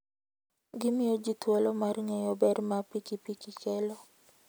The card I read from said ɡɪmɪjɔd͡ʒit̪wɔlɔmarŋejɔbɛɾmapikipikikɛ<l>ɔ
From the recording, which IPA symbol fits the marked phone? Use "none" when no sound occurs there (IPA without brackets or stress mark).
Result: l